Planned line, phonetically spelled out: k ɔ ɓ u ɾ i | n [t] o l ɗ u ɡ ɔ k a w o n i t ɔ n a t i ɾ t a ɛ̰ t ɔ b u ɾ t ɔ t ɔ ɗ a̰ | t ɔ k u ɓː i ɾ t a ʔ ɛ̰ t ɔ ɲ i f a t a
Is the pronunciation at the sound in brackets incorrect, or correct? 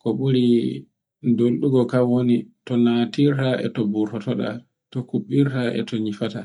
incorrect